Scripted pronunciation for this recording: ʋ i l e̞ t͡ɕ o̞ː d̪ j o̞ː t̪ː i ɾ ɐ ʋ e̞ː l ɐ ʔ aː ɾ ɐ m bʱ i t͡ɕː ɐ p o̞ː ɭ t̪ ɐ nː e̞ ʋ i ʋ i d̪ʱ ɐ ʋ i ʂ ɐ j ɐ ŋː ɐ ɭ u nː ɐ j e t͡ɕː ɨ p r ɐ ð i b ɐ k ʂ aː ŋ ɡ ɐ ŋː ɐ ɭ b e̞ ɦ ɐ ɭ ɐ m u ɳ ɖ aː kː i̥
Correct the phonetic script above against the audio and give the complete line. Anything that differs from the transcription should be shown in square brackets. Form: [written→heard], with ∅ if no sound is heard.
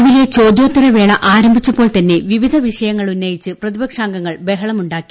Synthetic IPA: ʋ i l e̞ t͡ɕ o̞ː d̪ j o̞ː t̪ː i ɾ ɐ ʋ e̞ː [l→ɭ] ɐ ʔ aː ɾ ɐ m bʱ i t͡ɕː ɐ p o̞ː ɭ t̪ ɐ nː e̞ ʋ i ʋ i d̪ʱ ɐ ʋ i ʂ ɐ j ɐ ŋː ɐ ɭ u nː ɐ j [e→i] t͡ɕː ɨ p r ɐ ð i b ɐ k ʂ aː ŋ ɡ ɐ ŋː ɐ ɭ b e̞ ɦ ɐ ɭ ɐ m u ɳ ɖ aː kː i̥